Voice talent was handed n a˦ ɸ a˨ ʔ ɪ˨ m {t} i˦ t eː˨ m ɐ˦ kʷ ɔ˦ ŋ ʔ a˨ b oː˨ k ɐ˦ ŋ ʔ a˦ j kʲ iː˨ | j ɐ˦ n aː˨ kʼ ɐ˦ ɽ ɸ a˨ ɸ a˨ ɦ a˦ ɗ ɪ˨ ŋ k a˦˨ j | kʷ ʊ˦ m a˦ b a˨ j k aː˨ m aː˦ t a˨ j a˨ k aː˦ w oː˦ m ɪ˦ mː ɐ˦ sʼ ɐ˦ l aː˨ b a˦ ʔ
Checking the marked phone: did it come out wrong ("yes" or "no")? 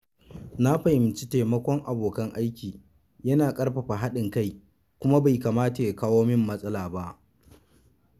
yes